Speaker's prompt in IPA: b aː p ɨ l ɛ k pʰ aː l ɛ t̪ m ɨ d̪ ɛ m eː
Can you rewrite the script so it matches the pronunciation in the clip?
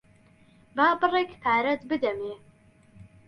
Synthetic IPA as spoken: b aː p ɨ r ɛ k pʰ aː ɾ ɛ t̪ b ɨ d̪ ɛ m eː